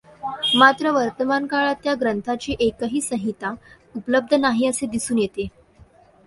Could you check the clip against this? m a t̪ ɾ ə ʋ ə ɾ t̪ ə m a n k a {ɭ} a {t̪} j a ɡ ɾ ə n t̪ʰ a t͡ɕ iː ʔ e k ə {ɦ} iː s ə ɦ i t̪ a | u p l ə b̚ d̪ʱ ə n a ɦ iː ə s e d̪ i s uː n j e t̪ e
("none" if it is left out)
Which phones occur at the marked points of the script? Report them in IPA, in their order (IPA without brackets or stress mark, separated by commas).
ɭ, t̪, ɦ